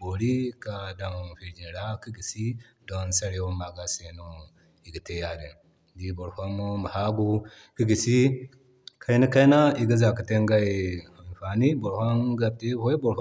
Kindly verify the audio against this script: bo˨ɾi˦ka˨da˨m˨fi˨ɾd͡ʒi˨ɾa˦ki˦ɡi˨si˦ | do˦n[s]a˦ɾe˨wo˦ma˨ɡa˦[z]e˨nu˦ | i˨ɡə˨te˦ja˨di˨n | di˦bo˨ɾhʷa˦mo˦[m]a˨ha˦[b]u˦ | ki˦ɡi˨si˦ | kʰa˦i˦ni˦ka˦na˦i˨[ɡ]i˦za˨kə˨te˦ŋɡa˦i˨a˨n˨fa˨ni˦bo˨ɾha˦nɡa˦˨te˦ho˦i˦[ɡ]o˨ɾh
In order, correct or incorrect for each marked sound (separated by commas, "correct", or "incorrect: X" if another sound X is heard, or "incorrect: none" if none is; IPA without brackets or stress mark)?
correct, incorrect: s, correct, incorrect: ɡ, correct, incorrect: b